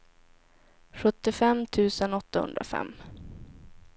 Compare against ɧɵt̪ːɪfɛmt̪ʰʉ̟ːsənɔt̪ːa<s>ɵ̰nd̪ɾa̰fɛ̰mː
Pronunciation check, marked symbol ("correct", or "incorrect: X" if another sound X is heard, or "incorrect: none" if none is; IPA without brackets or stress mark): incorrect: h